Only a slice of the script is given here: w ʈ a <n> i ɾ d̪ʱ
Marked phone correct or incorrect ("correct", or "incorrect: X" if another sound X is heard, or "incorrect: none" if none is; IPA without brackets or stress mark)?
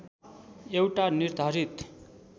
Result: correct